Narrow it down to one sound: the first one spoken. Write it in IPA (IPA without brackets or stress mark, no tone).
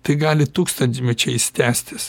t̪